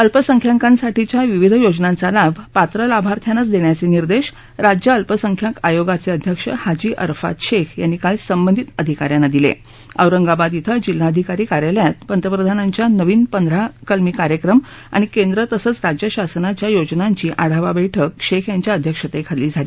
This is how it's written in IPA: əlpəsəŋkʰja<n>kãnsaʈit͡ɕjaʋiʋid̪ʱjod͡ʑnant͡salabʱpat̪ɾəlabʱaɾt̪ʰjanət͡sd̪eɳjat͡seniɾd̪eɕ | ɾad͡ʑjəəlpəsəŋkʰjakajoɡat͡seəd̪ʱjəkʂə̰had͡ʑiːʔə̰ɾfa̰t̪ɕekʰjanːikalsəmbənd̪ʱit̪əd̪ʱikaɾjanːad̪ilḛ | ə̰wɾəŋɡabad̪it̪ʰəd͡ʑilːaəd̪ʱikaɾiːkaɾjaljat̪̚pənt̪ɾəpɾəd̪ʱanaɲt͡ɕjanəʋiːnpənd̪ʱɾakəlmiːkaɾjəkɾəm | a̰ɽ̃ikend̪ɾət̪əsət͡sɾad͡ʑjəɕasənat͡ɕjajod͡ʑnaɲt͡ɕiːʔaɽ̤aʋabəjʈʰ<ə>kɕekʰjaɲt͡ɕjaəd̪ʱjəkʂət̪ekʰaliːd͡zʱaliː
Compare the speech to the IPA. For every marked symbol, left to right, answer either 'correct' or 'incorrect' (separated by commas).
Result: incorrect, correct